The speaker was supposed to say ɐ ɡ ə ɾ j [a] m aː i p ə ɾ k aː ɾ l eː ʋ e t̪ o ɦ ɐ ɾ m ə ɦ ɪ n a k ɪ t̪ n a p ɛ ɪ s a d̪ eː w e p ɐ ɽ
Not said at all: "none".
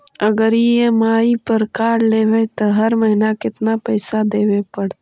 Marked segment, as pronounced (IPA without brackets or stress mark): e